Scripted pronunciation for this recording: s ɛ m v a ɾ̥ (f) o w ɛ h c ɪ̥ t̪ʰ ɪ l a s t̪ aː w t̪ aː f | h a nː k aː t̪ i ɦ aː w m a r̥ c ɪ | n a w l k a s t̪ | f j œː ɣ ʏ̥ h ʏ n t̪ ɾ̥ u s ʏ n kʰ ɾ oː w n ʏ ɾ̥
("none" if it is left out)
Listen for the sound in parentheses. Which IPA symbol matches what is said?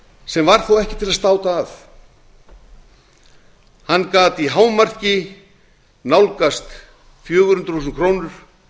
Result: θ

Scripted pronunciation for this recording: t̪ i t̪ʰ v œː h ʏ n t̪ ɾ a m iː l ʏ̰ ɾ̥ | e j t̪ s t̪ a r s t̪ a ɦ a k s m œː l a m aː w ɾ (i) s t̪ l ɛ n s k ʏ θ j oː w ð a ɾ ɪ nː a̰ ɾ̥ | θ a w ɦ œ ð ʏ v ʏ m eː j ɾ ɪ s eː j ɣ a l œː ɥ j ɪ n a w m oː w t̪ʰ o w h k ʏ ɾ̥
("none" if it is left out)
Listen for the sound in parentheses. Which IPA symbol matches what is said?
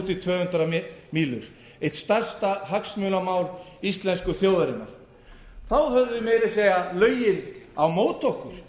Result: i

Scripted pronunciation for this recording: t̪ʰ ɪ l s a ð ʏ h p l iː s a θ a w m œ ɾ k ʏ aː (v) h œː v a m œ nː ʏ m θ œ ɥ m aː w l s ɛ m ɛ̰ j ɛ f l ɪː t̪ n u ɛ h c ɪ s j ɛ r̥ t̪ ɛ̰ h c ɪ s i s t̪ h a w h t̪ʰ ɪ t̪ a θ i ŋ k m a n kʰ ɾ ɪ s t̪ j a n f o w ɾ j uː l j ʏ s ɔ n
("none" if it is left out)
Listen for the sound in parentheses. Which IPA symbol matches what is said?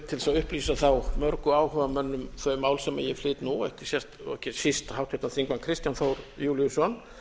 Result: w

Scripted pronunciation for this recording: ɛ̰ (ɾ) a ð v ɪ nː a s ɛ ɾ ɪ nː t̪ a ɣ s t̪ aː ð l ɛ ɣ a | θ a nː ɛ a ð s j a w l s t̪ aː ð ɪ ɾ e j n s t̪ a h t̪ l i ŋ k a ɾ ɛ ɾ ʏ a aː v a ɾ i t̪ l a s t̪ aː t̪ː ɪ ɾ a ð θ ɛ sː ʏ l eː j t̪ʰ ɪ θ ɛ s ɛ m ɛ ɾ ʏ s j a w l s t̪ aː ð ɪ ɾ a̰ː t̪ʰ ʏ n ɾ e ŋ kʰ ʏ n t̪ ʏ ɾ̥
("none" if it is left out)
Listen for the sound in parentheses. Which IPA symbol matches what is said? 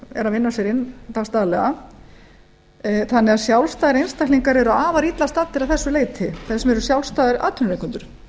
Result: ɾ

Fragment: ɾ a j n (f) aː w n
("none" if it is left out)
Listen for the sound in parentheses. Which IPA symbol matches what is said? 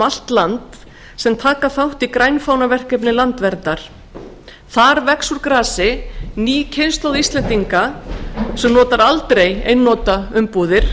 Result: f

